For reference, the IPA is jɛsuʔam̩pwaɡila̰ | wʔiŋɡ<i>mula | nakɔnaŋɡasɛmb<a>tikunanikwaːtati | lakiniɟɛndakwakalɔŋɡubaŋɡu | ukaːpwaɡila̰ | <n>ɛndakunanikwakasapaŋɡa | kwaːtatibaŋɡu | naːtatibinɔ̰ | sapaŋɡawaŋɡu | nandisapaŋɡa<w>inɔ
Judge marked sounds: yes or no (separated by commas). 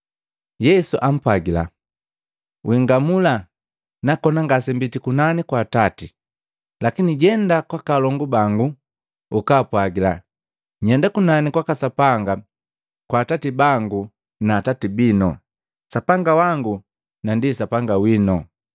no, no, no, yes